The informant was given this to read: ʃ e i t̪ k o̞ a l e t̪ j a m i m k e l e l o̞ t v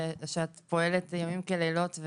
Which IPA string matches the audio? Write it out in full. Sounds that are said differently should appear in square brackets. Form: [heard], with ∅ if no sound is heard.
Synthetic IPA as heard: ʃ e [a] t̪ [p] o̞ [e] l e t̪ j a m i m k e l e l o̞ t v